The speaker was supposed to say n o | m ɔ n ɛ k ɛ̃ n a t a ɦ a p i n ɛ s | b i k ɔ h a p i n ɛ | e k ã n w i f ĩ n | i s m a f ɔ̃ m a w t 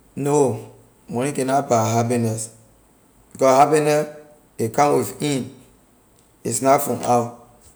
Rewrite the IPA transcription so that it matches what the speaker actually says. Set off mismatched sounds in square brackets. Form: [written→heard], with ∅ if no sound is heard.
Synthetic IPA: n o | m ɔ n [ɛ→i] k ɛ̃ n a [t→p] a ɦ a p i n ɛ s | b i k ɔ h a p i n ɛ | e k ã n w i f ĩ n | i s [m→n] a f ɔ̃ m a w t